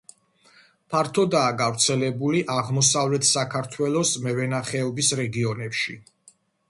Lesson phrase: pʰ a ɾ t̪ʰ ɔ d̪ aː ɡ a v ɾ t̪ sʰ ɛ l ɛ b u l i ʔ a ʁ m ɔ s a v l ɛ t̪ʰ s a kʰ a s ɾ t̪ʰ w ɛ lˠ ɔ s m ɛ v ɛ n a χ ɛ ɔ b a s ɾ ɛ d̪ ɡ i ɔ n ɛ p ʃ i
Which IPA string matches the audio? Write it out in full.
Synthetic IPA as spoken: pʰ a ɾ t̪ʰ ɔ d̪ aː ɡ a v ɾ t̪ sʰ ɛ l ɛ b u l i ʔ a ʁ m ɔ s a v l ɛ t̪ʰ s a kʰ a ɾ t̪ʰ w ɛ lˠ ɔ s m ɛ v ɛ n a χ ɛ ɔ b i s ɾ ɛ ɡ i ɔ n ɛ p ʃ i